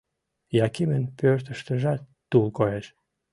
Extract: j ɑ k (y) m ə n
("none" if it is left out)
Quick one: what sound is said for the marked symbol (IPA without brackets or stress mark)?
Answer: i